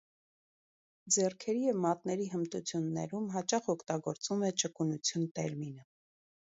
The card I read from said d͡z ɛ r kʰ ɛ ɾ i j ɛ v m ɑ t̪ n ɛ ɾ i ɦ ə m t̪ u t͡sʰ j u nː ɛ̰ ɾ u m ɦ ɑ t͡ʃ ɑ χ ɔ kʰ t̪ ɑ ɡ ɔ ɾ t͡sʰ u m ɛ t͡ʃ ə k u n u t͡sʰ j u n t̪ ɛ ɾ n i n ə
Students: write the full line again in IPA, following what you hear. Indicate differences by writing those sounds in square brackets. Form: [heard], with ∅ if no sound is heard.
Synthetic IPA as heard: d͡z ɛ r kʰ ɛ ɾ i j ɛ v m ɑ t̪ n ɛ ɾ i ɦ ə m t̪ u t͡sʰ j u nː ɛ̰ ɾ u m ɦ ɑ t͡ʃ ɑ χ ɔ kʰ t̪ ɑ ɡ ɔ ɾ [t͡s] u m ɛ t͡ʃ ə k u n u t͡sʰ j u n t̪ ɛ ɾ [m] i n ə